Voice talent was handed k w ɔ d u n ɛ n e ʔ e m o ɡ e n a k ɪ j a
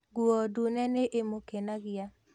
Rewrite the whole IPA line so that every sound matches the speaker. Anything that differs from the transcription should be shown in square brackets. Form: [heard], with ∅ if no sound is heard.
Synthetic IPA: [ɡ] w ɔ d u n ɛ n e ʔ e m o [k] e n a [ɡ] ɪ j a